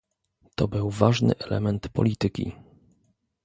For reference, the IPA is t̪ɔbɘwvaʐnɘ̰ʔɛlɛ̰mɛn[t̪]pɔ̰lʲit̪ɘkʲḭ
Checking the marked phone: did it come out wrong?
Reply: no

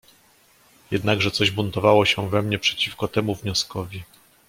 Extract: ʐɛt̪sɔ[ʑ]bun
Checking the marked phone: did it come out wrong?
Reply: no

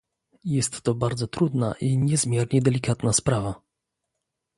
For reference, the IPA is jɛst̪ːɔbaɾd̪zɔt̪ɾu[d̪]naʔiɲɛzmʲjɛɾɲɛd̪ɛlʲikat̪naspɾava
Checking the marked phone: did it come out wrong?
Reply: no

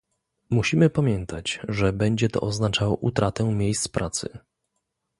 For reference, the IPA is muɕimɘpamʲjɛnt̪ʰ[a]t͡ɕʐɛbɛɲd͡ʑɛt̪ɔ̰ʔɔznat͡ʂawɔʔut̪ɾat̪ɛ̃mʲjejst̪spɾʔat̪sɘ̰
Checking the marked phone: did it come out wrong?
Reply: no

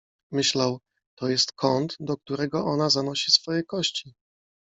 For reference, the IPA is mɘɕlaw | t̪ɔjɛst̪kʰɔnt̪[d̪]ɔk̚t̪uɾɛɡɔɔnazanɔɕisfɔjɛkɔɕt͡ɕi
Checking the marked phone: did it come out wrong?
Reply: no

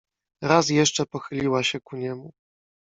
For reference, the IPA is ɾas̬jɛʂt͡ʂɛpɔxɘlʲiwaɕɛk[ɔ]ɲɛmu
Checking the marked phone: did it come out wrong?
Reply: yes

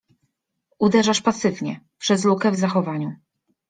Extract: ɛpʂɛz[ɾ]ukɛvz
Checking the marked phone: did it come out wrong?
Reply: yes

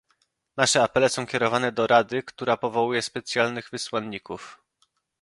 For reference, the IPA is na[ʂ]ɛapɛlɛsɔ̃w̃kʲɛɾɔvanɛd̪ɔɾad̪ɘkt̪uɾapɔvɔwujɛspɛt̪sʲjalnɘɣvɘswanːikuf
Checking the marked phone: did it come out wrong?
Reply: no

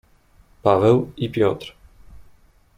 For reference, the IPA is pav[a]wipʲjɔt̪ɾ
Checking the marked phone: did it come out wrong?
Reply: yes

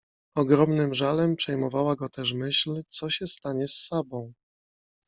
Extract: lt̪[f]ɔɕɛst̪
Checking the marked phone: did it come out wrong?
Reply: yes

